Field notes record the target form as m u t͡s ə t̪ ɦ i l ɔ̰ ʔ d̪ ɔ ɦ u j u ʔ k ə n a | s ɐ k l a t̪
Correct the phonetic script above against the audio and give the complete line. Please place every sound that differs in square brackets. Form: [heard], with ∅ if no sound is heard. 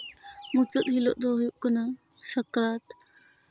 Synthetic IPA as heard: m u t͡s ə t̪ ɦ i l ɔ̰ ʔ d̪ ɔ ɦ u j u ʔ k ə n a | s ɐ k [ɾ] a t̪